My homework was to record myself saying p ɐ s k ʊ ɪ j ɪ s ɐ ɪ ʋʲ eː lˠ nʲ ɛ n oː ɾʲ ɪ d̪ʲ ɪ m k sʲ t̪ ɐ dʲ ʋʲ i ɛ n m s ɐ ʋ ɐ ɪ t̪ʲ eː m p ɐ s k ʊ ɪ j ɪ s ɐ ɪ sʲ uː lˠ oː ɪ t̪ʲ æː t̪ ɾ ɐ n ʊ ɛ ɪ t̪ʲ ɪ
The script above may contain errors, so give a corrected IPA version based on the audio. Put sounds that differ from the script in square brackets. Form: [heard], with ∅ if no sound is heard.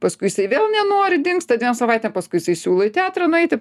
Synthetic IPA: p ɐ s k ʊ ɪ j ɪ s ɐ ɪ ʋʲ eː lˠ nʲ ɛ n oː ɾʲ ɪ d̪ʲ ɪ [ŋ] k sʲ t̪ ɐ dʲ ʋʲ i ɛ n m s ɐ ʋ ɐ ɪ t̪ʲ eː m p ɐ s k ʊ ɪ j ɪ s ɐ ɪ sʲ uː lˠ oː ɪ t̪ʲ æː t̪ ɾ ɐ n ʊ ɛ ɪ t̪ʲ ɪ